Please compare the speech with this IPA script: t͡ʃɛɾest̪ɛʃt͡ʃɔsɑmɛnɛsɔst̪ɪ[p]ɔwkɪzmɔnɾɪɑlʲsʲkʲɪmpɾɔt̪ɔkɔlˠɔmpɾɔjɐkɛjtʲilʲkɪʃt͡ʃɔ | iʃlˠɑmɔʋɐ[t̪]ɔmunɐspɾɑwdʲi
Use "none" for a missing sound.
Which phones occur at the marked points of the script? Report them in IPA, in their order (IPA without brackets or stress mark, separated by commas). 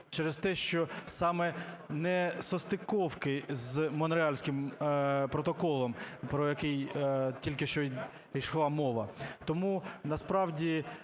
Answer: k, t̪